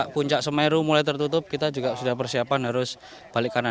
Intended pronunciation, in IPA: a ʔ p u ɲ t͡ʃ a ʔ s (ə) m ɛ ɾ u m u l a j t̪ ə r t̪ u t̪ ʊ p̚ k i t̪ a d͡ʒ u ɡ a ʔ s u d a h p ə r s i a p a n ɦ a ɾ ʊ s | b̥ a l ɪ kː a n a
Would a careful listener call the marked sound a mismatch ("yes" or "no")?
no